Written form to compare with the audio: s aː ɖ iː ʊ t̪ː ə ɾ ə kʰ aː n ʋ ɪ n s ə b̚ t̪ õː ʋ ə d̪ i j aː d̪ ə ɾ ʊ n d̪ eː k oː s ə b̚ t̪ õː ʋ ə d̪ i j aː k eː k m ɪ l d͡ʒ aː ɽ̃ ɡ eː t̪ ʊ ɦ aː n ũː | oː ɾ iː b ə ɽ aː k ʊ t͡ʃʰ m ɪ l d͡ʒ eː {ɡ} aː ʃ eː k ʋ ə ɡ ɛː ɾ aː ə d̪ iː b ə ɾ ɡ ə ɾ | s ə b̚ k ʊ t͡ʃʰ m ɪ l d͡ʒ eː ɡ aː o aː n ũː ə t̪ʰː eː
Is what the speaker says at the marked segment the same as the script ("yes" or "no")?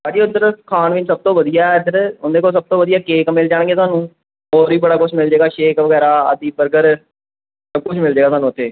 yes